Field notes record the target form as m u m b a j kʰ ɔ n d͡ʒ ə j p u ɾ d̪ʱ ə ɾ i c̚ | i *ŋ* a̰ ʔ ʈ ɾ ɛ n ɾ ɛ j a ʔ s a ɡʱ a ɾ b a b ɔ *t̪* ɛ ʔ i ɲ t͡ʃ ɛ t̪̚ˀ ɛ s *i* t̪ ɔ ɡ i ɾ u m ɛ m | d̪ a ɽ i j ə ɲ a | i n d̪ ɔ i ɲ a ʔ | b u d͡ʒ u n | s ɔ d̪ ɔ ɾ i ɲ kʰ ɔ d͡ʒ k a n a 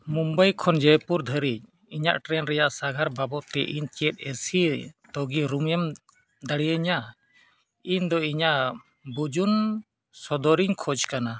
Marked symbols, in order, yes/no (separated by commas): no, yes, yes